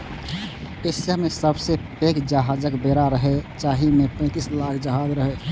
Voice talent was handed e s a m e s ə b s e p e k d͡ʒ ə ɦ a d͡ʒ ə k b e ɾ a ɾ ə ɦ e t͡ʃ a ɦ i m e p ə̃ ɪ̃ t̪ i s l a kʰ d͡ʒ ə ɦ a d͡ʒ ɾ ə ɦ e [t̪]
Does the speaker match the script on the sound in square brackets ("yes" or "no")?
no